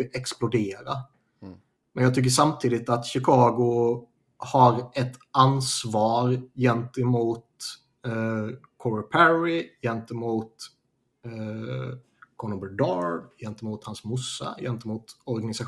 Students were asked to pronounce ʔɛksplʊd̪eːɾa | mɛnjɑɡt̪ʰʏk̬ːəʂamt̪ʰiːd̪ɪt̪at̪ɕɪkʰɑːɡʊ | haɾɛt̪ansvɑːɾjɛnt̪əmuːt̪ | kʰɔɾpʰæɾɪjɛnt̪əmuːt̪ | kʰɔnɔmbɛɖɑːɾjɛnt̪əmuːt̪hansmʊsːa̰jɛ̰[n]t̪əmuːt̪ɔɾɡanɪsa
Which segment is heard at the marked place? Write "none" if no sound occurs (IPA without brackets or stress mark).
n